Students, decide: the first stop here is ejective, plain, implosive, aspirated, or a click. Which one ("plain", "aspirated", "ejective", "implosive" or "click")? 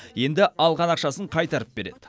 plain